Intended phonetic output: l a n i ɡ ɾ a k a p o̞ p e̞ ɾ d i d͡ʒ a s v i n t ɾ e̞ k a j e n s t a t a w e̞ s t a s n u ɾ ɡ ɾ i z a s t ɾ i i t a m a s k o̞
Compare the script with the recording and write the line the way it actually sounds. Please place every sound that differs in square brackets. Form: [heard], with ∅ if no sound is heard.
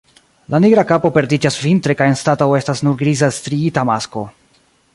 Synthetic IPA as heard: l a n i ɡ ɾ a k a p o̞ p e̞ ɾ d i d͡ʒ a s v i n t ɾ e̞ k a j e n s t a t a w e̞ s t a s n u ɾ ɡ ɾ i z a s t ɾ i i t a m a s k o̞

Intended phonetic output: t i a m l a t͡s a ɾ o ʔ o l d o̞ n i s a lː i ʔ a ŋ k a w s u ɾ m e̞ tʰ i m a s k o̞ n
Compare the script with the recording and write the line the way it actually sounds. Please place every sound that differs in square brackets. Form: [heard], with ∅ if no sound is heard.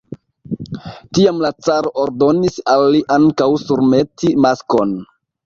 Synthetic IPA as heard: t i a m l a t͡s a ɾ o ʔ o [ɾ] d o̞ n i s a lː i ʔ a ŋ k a w s u ɾ m e̞ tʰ i m a s k o̞ n

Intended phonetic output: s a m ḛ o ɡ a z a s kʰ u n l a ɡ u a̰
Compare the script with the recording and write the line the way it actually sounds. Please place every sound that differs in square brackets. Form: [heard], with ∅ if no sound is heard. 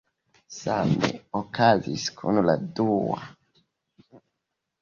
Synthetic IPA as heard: s a m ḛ o [k] a z [i] s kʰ u n l a [d] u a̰

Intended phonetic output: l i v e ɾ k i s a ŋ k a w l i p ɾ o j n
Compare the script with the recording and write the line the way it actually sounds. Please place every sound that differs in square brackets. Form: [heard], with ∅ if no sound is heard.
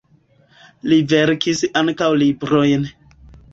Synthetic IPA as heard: l i v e ɾ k i s a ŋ k a w l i [b] ɾ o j n

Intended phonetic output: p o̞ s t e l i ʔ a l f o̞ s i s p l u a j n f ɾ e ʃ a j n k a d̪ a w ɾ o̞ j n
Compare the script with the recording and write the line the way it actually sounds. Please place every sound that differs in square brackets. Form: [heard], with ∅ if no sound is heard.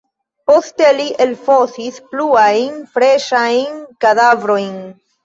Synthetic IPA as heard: p o̞ s t e l i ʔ [e] l f o̞ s i s p l u a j n f ɾ e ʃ a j n k a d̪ a [v] ɾ o̞ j n

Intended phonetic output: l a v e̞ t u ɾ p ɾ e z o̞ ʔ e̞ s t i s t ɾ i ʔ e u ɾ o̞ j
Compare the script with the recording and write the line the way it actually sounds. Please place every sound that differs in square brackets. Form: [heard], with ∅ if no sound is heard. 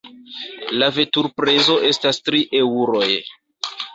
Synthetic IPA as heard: l a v e̞ t u ɾ p ɾ e z o̞ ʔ e̞ s t [a] s t ɾ i ʔ e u ɾ o̞ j

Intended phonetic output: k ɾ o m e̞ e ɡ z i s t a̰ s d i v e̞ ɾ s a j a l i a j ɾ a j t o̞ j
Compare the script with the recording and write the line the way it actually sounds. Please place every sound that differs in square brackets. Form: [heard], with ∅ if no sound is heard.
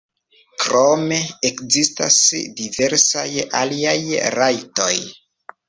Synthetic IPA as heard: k ɾ o m e̞ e [k] z i s t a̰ s d i v e̞ ɾ s a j a l i a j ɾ a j t o̞ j

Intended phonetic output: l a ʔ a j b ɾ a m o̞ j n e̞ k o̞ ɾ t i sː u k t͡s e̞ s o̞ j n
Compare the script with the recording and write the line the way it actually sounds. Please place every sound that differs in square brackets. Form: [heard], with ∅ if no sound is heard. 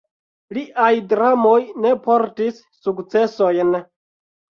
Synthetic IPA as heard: l [i] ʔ a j [d] ɾ a m o̞ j n e̞ [p] o̞ ɾ t i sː u k t͡s e̞ s o̞ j n

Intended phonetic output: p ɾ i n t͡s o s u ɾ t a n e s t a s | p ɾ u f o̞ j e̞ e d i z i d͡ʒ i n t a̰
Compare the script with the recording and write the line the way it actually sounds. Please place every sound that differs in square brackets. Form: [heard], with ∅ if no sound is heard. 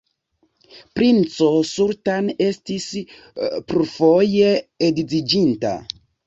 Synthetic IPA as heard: p ɾ i n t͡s o s u ɾ t a n e s t [i] s | p ɾ u f o̞ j e̞ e d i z i d͡ʒ i n t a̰

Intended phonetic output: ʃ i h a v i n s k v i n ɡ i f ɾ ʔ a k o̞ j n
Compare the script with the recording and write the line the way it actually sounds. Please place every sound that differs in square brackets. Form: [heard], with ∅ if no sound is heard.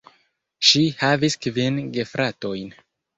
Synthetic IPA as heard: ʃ i h a v i [∅] s k v i n ɡ [e] f ɾ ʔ a [t] o̞ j n

